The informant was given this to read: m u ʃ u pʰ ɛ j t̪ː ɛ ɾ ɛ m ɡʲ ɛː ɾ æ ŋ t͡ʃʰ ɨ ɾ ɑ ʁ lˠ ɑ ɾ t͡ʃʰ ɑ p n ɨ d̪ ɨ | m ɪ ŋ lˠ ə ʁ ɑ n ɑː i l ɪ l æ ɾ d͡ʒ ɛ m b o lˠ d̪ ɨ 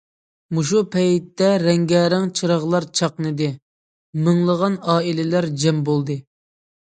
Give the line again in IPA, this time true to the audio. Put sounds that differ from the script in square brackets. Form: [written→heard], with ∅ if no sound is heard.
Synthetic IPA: m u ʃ u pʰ ɛ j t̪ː ɛ ɾ ɛ [m→ŋ] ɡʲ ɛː ɾ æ ŋ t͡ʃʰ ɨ ɾ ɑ ʁ lˠ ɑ ɾ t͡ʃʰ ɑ [p→q] n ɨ d̪ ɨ | m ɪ ŋ lˠ ə ʁ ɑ n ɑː i l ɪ l æ ɾ d͡ʒ ɛ m b o lˠ d̪ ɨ

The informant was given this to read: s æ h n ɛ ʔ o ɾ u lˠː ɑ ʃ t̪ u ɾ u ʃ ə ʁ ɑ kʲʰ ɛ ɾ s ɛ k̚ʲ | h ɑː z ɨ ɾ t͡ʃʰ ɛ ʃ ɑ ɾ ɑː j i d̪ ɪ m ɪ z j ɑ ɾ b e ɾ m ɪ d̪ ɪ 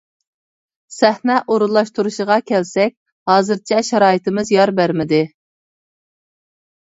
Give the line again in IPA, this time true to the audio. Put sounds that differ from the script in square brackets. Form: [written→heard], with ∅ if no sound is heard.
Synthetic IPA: s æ h n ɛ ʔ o ɾ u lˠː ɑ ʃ t̪ u ɾ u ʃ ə ʁ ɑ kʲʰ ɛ [ɾ→l] s ɛ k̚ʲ | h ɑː z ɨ ɾ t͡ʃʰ ɛ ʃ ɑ ɾ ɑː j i [d̪→t̪] ɪ m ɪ z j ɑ ɾ b [e→æ] ɾ m ɪ d̪ ɪ

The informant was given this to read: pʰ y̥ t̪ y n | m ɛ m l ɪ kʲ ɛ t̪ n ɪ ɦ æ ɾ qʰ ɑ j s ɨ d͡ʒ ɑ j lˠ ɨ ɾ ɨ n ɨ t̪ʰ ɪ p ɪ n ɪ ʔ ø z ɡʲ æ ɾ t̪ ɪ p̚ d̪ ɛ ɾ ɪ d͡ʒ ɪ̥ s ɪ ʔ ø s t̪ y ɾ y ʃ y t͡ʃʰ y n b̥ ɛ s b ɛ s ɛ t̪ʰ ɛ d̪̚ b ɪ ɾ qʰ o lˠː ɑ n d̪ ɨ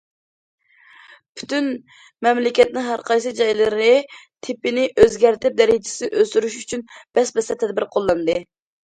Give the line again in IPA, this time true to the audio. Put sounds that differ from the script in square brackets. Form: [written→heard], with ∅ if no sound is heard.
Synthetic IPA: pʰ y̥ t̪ y n | m ɛ m l ɪ kʲ ɛ t̪ n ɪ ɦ æ ɾ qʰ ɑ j s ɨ d͡ʒ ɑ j lˠ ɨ ɾ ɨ n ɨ t̪ʰ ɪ p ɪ n ɪ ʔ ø z ɡʲ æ ɾ t̪ ɪ p̚ d̪ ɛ ɾ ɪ d͡ʒ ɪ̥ s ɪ ʔ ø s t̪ y ɾ y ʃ y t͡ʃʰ y n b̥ ɛ s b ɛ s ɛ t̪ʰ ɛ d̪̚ b ɪ ɾ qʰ o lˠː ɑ n d̪ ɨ

